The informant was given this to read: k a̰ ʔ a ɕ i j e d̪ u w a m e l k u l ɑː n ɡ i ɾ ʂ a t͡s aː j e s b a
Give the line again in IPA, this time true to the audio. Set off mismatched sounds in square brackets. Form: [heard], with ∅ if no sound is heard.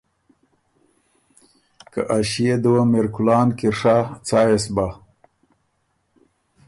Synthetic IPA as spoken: k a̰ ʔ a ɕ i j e d̪ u w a m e [ɾ] k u l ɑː n [k] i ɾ ʂ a t͡s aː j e s b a